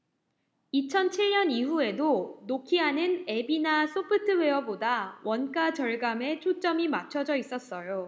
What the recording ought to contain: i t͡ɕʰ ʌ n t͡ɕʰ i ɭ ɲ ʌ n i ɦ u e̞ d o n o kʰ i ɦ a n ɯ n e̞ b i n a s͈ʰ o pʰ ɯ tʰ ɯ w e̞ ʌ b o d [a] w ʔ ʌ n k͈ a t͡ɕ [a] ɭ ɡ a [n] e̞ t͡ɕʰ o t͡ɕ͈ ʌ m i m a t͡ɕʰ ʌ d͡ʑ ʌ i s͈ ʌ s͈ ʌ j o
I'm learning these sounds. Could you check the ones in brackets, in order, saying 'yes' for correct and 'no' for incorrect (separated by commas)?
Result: yes, no, no